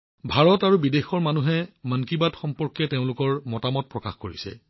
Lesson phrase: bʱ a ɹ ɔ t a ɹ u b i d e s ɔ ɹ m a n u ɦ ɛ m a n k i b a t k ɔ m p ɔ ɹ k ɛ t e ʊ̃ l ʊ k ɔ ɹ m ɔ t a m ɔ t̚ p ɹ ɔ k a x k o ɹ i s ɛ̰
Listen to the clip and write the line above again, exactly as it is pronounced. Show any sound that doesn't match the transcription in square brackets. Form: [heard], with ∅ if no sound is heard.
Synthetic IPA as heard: bʱ a ɹ ɔ t a ɹ u b i d e [x] ɔ ɹ m a n u ɦ ɛ m a n k i b a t [x] ɔ m p ɔ ɹ k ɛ t e ʊ̃ l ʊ k ɔ ɹ m ɔ t a m ɔ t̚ p ɹ ɔ k a x k o ɹ i s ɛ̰

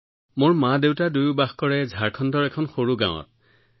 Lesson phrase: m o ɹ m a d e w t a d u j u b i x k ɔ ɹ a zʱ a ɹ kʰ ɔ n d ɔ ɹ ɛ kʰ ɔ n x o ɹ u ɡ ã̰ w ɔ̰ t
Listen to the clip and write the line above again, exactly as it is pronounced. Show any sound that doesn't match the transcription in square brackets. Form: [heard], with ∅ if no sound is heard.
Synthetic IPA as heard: m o ɹ m a d e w t a d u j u b [a] x k ɔ ɹ [ɛ] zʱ a ɹ kʰ ɔ n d ɔ ɹ ɛ kʰ ɔ n x o ɹ u ɡ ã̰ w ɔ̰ t

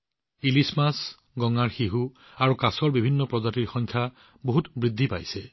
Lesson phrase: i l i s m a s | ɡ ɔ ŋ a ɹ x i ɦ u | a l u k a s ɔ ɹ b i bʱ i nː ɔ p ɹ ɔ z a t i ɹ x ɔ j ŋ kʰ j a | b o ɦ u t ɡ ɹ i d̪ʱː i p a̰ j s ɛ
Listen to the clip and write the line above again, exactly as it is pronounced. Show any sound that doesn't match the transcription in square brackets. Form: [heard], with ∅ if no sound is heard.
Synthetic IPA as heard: i l i s m a s | ɡ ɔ ŋ a ɹ x i ɦ u | a [ɹ] u k a s ɔ ɹ b i bʱ i nː ɔ p ɹ ɔ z a t i ɹ x ɔ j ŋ kʰ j a | b o ɦ u t [b] ɹ i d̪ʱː i p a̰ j s ɛ

